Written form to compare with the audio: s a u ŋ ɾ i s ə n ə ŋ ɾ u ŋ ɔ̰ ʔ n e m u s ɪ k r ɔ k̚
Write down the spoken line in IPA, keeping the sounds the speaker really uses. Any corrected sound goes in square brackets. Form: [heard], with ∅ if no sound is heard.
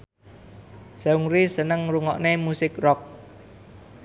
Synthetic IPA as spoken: s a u ŋ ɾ i s ə n ə ŋ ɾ u ŋ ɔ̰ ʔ n e m u s ɪ k r ɔ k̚